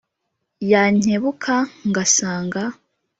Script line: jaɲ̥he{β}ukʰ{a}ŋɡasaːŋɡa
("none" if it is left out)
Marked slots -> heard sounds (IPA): β, a

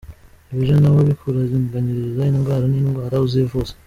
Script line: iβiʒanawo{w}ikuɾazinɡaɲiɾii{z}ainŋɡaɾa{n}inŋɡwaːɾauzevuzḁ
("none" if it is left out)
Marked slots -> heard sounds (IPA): β, z, n

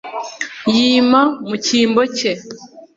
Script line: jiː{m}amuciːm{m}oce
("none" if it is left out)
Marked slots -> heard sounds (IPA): m, b

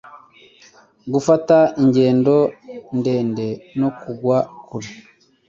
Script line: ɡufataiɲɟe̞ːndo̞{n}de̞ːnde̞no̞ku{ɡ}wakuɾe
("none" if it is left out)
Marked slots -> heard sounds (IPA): n, ɡ

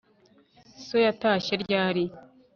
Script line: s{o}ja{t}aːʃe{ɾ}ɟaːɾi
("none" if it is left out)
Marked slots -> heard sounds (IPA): o, t, ɾ

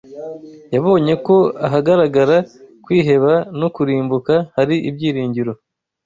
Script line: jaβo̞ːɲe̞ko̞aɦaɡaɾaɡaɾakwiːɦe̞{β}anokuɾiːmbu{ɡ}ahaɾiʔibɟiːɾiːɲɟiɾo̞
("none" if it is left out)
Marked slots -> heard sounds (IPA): β, k

